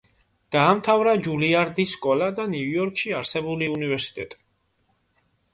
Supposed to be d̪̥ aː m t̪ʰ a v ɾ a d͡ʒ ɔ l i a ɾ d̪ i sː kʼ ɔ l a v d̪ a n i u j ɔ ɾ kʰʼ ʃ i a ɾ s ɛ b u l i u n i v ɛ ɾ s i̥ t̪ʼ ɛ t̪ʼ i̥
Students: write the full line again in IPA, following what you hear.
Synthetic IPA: d̪̥ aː m t̪ʰ a v ɾ a d͡ʒ u l i a ɾ d̪ i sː kʼ ɔ l a d̪ a n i u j ɔ ɾ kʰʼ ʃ i a ɾ s ɛ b u l i u n i v ɛ ɾ s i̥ t̪ʼ ɛ t̪ʼ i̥